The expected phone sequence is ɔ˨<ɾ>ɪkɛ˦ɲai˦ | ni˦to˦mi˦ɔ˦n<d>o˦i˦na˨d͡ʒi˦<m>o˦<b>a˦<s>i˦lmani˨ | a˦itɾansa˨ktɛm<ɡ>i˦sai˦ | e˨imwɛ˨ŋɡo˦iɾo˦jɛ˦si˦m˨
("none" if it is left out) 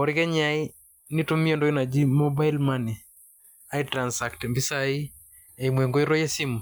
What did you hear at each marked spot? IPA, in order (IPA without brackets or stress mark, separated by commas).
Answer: ɾ, d, m, b, none, b